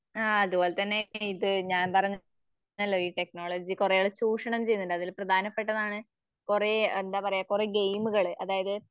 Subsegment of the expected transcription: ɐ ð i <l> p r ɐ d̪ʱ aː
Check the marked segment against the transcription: correct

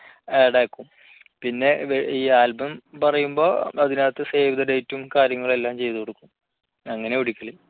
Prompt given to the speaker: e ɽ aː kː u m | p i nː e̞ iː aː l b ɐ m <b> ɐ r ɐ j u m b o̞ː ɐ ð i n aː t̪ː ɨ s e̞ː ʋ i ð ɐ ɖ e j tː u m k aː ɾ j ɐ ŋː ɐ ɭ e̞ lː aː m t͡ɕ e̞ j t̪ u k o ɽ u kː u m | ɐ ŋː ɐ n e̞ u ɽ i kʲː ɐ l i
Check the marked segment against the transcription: incorrect: p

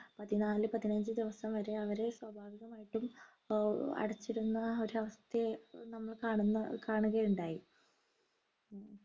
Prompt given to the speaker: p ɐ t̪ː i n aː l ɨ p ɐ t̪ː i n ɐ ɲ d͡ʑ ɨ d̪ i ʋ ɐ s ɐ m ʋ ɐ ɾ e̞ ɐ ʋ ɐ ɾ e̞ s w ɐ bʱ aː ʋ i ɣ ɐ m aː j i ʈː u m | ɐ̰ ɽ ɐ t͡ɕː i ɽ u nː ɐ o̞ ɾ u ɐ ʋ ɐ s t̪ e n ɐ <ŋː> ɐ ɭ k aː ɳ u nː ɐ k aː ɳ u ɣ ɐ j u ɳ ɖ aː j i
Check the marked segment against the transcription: incorrect: mː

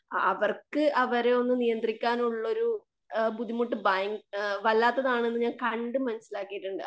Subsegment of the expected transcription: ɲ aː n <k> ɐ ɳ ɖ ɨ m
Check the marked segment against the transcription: correct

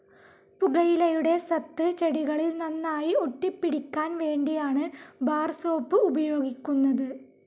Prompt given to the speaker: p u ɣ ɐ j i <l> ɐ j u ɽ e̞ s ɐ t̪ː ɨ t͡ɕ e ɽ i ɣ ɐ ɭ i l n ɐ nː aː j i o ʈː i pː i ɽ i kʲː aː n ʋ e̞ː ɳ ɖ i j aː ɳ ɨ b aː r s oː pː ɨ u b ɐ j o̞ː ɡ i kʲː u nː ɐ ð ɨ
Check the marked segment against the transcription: correct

